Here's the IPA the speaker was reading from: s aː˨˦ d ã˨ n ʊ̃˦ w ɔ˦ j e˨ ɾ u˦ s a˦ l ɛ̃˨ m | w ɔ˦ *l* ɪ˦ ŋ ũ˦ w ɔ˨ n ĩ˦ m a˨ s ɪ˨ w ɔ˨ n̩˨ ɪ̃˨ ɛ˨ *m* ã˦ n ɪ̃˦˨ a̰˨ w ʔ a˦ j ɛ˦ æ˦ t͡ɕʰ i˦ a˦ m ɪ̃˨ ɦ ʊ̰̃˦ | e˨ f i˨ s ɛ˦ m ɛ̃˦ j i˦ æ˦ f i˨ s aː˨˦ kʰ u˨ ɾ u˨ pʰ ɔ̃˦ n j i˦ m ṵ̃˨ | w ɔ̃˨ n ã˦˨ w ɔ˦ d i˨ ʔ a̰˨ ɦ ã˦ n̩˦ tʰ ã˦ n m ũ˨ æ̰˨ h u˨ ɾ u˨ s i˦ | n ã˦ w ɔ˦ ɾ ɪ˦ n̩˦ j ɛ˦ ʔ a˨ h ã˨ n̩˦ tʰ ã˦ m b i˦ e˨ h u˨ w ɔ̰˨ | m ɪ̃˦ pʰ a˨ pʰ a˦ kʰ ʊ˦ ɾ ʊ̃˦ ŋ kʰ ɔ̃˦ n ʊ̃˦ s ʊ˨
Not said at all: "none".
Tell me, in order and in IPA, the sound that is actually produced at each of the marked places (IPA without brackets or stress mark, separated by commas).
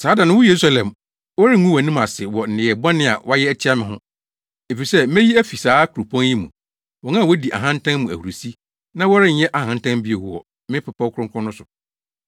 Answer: ɾ, b